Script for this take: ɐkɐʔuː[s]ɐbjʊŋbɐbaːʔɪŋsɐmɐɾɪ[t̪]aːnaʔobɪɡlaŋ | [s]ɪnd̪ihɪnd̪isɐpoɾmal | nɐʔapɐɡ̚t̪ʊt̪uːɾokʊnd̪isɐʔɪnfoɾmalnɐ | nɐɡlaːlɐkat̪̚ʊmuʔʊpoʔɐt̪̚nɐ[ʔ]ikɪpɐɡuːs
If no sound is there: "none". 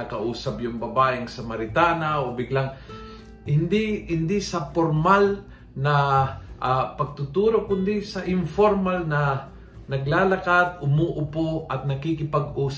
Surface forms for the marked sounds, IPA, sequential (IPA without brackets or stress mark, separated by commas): s, t̪, h, k